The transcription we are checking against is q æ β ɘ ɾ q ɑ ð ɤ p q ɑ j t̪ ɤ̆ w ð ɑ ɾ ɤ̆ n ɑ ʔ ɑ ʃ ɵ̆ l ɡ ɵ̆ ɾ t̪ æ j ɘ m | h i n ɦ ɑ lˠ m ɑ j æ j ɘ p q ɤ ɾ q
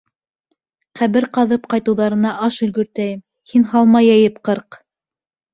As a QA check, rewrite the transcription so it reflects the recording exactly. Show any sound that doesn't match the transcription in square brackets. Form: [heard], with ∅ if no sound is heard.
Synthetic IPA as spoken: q æ β ɘ ɾ q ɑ ð ɤ p q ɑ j t̪ ɤ̆ w ð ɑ ɾ ɤ̆ n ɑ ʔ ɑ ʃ ɵ̆ l ɡ ɵ̆ ɾ t̪ æ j ɘ m | h i n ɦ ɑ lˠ m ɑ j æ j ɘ p q ɤ ɾ q